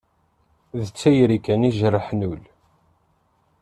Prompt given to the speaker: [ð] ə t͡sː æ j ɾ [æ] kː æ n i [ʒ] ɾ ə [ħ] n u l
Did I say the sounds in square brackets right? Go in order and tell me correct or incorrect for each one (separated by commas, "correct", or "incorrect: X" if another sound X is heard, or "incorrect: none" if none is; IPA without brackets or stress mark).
correct, incorrect: i, correct, correct